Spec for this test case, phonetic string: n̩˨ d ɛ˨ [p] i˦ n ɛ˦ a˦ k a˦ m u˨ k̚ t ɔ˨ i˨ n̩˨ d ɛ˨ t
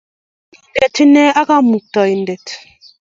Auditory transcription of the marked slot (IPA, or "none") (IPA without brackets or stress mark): t